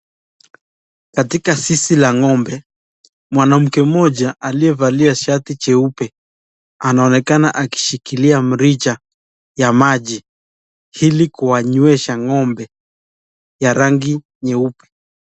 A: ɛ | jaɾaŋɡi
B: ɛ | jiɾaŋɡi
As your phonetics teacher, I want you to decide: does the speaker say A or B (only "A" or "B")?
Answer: A